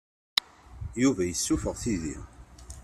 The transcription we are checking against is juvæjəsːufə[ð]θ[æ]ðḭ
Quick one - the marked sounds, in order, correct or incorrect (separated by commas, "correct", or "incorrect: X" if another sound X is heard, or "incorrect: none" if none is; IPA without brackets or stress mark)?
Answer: incorrect: ʁ, incorrect: i